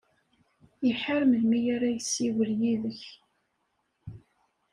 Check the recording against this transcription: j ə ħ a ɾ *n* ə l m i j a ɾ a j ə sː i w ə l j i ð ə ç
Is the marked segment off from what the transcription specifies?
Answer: yes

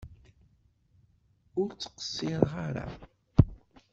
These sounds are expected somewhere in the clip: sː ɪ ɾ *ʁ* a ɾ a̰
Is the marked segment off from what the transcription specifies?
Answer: no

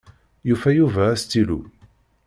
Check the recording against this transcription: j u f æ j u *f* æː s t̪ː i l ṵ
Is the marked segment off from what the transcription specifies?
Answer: yes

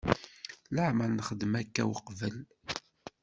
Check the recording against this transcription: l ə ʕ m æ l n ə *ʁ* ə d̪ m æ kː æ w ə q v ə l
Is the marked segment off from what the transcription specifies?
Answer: yes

